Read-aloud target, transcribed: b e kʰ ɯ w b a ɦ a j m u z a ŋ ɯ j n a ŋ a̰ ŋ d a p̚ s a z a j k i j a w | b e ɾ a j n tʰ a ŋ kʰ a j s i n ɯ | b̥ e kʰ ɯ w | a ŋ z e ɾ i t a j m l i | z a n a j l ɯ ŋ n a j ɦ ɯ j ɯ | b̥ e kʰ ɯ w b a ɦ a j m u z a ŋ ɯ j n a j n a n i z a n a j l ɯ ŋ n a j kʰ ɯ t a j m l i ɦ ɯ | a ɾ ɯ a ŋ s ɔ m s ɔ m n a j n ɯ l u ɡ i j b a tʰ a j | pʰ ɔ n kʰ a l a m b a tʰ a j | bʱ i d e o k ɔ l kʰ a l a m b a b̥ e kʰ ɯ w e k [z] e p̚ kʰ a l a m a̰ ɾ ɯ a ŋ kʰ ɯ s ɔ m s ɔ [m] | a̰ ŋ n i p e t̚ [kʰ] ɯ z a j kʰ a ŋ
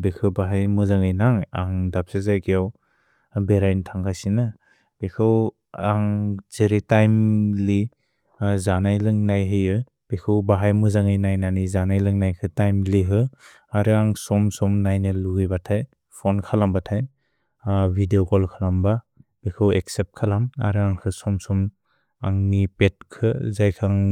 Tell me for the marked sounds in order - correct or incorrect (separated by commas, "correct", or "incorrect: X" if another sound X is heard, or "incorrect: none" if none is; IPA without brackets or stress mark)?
incorrect: s, correct, correct